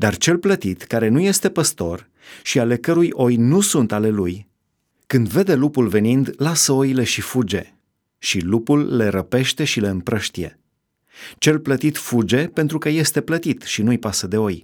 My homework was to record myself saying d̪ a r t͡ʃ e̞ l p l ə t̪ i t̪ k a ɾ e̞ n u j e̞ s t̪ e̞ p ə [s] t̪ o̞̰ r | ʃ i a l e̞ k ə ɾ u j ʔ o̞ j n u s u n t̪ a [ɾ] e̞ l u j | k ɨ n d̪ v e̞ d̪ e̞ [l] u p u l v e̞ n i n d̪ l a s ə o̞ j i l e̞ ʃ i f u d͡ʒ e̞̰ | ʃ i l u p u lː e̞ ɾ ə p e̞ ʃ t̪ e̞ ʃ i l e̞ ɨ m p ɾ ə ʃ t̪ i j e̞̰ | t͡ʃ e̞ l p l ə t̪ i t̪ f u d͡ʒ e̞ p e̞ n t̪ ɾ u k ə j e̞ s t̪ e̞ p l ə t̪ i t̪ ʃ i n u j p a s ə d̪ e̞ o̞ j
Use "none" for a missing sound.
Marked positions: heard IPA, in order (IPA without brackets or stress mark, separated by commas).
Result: s, l, l